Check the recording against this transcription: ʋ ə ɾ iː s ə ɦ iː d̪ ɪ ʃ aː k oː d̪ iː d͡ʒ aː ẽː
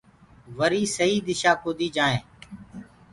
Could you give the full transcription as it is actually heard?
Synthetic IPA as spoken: ʋ ə ɾ iː s ə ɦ iː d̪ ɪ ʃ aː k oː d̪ iː d͡ʒ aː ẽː